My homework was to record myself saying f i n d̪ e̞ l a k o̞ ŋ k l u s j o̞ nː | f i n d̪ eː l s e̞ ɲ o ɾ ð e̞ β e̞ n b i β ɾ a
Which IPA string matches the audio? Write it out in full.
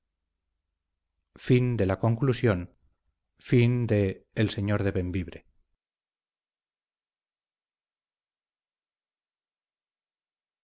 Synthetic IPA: f i n d̪ e̞ l a k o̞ ŋ k l u s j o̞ n | f i n d̪ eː l s e̞ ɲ o ɾ ð e̞ β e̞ m b i β ɾ e